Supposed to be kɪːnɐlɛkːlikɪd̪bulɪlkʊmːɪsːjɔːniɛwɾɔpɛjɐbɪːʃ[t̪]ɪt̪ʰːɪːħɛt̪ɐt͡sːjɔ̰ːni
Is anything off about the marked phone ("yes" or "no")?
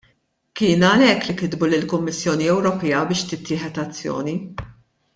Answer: no